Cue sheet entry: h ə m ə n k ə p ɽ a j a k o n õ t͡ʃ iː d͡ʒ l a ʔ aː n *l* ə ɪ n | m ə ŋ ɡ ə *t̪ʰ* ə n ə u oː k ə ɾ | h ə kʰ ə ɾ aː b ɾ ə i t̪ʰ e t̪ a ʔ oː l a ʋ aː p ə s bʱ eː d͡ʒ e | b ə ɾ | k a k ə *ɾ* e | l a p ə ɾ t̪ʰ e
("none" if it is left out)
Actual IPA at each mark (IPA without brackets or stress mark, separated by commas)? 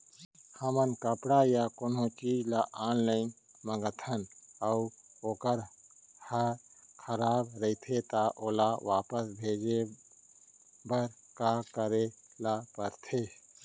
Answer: l, t̪ʰ, ɾ